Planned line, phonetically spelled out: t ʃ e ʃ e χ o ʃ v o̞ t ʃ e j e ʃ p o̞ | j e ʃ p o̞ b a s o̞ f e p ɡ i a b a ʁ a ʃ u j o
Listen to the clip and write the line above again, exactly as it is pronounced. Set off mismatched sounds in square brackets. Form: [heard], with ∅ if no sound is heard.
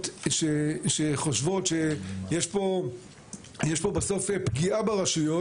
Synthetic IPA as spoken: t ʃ e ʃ e χ o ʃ v o̞ t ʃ e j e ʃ p o̞ | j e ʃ p o̞ b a s o̞ f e p ɡ i a b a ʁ a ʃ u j o